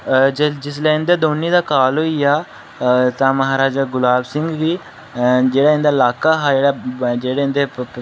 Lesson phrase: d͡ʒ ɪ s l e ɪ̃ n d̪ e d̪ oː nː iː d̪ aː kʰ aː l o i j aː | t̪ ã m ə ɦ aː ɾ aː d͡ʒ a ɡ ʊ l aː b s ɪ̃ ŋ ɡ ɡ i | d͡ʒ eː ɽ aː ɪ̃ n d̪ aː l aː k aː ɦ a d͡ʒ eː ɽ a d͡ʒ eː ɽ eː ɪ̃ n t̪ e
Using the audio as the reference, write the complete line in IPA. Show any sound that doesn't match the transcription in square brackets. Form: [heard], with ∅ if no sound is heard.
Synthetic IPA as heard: d͡ʒ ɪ s l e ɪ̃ n d̪ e d̪ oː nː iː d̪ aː [k] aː l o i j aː | t̪ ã m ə ɦ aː ɾ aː d͡ʒ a ɡ ʊ l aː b s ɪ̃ ŋ ɡ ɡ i | d͡ʒ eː ɽ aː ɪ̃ n d̪ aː l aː k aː ɦ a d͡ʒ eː ɽ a d͡ʒ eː ɽ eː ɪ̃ n [d̪] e

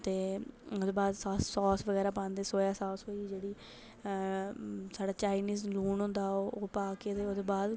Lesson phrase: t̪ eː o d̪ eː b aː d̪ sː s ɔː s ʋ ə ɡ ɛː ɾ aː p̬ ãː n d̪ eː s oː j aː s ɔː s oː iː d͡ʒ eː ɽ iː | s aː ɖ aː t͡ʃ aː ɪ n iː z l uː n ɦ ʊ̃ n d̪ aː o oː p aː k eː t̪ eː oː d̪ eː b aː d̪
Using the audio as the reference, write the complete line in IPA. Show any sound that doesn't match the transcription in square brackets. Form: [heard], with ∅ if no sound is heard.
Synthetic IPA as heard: t̪ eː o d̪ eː b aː d̪ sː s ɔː s ʋ ə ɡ ɛː ɾ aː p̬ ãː n d̪ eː s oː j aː s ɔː s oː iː d͡ʒ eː ɽ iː | s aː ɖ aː t͡ʃ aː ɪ n iː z l uː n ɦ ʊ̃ n d̪ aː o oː p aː k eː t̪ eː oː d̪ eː b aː d̪

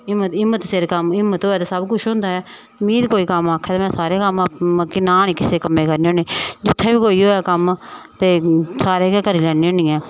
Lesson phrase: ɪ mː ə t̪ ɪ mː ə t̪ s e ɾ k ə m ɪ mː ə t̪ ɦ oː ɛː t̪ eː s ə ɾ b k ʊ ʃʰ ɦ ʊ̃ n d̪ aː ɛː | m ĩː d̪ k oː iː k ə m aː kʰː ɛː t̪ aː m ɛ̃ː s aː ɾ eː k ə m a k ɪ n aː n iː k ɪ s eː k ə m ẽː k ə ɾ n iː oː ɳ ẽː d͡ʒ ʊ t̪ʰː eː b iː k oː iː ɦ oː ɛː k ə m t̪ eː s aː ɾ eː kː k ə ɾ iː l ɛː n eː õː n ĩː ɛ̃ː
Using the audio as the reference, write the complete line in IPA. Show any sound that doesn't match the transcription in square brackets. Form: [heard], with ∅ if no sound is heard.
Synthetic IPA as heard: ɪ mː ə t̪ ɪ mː ə t̪ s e ɾ k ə m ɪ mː ə t̪ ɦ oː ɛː t̪ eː s ə [∅] b k ʊ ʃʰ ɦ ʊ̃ n d̪ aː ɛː | m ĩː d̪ k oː iː k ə m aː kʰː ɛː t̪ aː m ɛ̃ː s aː ɾ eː k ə m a k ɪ n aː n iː k ɪ s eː k ə m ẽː k ə ɾ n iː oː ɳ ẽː d͡ʒ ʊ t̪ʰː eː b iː k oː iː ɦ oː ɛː k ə m t̪ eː s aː ɾ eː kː k ə ɾ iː l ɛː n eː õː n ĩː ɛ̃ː

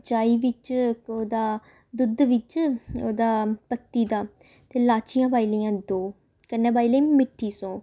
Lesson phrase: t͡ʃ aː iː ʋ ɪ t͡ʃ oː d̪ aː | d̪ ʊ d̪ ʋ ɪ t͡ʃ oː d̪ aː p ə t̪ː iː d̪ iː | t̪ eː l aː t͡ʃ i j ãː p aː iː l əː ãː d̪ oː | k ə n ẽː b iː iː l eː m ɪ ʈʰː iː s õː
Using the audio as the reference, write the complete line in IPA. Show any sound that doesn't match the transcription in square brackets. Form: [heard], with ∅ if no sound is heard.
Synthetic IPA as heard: t͡ʃ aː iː ʋ ɪ t͡ʃ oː d̪ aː | d̪ ʊ d̪ ʋ ɪ t͡ʃ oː d̪ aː p ə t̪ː iː d̪ [aː] | t̪ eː l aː t͡ʃ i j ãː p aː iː l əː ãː d̪ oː | k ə n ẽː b [aː] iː l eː m ɪ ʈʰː iː s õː

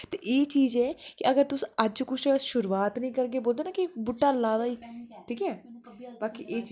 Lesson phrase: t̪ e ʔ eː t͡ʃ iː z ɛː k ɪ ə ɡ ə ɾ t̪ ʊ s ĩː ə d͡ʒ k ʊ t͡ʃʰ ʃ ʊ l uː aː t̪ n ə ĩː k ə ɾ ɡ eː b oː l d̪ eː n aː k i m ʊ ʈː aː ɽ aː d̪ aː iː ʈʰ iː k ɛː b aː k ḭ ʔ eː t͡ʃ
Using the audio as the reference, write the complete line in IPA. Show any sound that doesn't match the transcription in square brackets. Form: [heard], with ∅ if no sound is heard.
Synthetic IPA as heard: t̪ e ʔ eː t͡ʃ iː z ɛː k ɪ ə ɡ ə ɾ t̪ ʊ s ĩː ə d͡ʒ k ʊ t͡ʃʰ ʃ ʊ [ɾ] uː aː t̪ n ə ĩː k ə ɾ ɡ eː b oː l d̪ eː n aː k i [b] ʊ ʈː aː [l] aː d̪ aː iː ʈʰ iː k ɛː b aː k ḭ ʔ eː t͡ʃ

